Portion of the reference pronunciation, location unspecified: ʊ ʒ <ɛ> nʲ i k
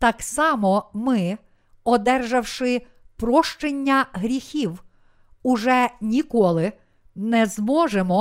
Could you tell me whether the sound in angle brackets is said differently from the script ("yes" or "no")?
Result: no